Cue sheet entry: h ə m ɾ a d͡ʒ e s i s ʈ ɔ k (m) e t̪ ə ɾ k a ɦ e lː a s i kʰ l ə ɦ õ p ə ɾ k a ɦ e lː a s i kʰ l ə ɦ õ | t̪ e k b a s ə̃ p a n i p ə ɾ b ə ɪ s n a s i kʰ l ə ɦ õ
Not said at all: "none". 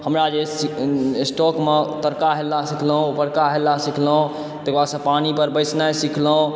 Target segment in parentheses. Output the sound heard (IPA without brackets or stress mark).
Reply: m